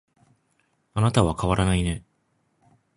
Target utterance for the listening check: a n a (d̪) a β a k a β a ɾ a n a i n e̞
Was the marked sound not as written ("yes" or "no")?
yes